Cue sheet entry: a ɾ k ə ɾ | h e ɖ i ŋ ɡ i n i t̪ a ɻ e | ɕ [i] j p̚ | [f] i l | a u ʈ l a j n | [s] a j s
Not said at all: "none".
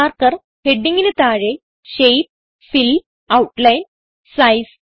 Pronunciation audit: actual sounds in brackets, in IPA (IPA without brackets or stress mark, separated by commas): e, f, s